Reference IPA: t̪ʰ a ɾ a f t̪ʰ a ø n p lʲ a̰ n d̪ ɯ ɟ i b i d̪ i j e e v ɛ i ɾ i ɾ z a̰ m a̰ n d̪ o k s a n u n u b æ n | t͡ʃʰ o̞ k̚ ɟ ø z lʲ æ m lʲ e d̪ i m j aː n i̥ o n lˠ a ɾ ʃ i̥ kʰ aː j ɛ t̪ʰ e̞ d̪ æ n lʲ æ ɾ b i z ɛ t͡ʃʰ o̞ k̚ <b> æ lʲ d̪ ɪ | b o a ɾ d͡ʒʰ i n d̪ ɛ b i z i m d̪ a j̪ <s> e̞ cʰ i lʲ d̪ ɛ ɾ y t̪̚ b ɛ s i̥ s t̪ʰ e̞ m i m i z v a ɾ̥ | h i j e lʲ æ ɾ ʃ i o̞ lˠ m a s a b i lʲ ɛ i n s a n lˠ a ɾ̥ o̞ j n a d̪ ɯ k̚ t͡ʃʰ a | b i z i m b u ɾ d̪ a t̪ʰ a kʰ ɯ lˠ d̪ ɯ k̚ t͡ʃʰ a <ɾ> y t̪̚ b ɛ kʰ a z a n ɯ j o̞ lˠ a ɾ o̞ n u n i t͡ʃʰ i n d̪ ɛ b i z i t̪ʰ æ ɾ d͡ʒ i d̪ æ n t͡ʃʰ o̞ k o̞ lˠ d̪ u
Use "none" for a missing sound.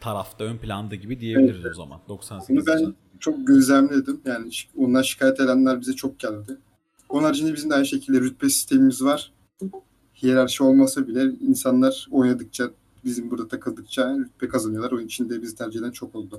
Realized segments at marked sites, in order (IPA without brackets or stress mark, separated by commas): ɟ, ʃ, ɾ